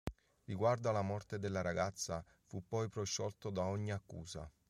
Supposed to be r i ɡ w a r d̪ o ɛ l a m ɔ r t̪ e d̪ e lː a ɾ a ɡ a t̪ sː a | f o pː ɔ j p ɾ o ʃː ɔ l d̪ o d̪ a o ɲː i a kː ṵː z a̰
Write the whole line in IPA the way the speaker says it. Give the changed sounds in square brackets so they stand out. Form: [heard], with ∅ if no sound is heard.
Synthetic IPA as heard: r i ɡ w a r d̪ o [a] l a m ɔ r t̪ e d̪ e lː a ɾ a ɡ a t̪ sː a | f [u] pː ɔ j p ɾ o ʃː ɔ l [t̪] o d̪ a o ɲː i a kː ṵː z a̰